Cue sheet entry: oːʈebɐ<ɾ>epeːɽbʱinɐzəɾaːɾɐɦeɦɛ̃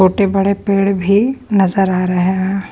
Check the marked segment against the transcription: incorrect: ɽ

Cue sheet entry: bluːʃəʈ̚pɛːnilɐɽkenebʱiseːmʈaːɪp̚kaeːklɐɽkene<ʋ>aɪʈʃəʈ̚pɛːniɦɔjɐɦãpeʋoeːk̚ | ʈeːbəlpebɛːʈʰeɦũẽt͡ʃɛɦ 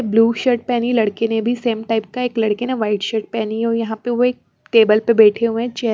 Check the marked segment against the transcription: correct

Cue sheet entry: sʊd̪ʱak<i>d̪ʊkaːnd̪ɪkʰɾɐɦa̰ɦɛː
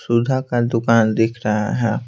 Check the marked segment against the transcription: incorrect: a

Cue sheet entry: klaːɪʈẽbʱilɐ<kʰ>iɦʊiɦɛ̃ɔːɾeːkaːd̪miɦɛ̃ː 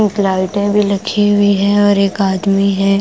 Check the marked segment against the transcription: correct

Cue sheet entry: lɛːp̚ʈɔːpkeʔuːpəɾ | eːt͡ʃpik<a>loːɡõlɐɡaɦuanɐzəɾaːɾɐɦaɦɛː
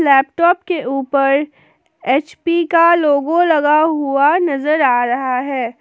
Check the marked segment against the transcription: correct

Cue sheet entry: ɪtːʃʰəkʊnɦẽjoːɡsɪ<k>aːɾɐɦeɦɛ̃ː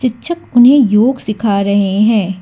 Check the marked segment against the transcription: incorrect: kʰ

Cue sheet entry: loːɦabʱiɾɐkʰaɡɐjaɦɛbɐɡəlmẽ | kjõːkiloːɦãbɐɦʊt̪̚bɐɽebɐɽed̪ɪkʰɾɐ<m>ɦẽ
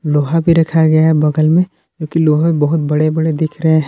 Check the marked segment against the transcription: incorrect: none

